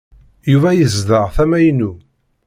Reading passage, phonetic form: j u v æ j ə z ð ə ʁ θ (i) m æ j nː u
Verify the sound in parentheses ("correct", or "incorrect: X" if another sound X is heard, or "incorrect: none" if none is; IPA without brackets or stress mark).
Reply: incorrect: æ